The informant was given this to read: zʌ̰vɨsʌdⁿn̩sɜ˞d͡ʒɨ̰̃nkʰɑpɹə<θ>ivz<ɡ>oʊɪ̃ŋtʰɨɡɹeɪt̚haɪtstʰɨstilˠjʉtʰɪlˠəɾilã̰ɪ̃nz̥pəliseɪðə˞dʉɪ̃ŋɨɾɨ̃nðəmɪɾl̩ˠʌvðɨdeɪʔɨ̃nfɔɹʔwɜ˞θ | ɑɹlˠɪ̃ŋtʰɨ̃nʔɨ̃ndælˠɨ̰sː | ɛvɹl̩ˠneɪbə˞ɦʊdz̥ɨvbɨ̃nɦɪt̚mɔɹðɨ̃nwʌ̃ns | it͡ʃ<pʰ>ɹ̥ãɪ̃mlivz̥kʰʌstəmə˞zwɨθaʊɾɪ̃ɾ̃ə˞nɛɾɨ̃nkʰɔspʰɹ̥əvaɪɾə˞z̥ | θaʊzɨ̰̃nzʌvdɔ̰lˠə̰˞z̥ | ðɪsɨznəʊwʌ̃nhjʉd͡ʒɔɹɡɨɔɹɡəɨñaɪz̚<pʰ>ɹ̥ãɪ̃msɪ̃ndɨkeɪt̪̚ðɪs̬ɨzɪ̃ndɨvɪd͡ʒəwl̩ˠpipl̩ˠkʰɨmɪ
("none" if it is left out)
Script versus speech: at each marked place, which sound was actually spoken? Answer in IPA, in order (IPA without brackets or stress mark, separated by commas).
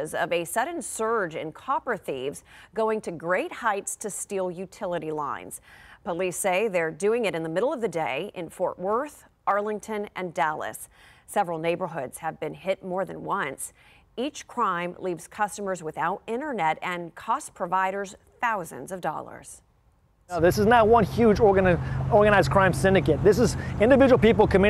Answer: θ, ɡ, kʰ, kʰ